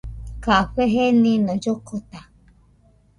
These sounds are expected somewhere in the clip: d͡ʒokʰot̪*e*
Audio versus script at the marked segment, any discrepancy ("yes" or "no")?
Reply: yes